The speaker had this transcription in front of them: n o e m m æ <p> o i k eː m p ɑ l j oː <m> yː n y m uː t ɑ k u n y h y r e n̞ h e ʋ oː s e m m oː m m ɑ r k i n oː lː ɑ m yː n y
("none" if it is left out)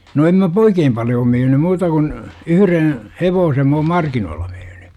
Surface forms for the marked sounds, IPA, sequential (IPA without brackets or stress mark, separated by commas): p, m